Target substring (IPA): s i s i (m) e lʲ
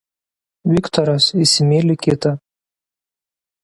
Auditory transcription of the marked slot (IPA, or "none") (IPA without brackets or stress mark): m